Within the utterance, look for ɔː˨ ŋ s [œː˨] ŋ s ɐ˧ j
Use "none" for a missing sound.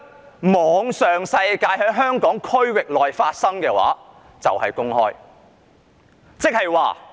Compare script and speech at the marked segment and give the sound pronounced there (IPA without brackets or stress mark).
œː˨